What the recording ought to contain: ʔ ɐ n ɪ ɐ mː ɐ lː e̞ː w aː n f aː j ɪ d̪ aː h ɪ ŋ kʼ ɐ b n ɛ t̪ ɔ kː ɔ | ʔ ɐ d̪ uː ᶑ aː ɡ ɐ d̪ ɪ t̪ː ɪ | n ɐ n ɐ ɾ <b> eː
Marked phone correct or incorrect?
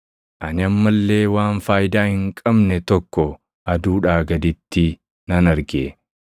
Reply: incorrect